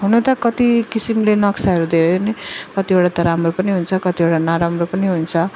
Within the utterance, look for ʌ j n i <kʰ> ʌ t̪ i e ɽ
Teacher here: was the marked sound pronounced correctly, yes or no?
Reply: no